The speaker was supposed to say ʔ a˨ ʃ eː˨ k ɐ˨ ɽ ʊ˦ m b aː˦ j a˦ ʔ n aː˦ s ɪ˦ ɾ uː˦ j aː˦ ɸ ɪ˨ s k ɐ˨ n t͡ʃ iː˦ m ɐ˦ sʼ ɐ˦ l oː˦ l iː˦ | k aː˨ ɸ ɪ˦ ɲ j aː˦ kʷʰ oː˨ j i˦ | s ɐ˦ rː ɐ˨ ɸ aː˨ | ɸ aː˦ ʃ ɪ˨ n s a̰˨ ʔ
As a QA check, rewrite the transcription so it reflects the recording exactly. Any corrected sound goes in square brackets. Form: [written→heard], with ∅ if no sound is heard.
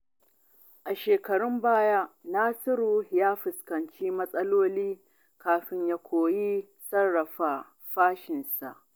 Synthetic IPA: ʔ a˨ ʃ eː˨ k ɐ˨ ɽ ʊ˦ m b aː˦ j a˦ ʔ n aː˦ s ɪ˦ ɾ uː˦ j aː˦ ɸ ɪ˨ s k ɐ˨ n t͡ʃ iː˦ m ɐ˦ sʼ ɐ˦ l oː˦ l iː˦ | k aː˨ ɸ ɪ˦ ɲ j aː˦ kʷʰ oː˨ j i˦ | s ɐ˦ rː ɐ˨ ɸ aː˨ | ɸ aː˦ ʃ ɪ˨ n s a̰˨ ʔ